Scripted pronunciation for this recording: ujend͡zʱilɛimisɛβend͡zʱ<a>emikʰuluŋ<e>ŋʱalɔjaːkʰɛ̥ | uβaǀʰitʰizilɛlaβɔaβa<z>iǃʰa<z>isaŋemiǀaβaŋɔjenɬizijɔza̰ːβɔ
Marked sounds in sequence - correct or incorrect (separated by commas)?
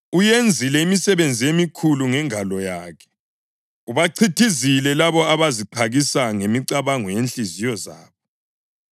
incorrect, incorrect, correct, incorrect